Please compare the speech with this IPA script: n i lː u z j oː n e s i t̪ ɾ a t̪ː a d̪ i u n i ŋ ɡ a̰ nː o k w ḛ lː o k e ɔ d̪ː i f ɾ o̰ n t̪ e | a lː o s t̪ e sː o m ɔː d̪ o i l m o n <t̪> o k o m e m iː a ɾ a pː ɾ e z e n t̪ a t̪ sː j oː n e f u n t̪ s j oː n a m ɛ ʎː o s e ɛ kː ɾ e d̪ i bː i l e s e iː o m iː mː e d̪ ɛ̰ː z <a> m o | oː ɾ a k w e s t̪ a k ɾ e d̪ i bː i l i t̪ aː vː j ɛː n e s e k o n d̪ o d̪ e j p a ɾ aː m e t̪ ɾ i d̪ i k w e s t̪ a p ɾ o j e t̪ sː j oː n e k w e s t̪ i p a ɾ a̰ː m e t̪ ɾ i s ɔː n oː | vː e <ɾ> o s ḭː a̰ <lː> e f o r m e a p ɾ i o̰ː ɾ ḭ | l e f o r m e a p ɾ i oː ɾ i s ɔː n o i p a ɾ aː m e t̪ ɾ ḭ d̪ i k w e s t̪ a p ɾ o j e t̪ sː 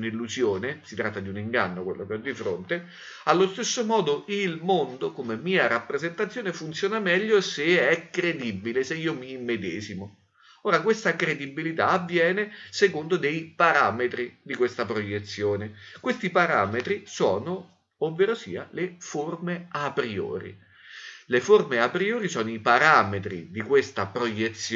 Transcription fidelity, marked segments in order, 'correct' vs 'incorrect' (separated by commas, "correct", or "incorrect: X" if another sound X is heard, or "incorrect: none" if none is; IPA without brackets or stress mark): incorrect: d̪, incorrect: i, correct, incorrect: l